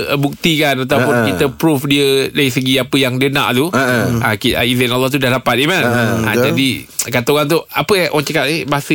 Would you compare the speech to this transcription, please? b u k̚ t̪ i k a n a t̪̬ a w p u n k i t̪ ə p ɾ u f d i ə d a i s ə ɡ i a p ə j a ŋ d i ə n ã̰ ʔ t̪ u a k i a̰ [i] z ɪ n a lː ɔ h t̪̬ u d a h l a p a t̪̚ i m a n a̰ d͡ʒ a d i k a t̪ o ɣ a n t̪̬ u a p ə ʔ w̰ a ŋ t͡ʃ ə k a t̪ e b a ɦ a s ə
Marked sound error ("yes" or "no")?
no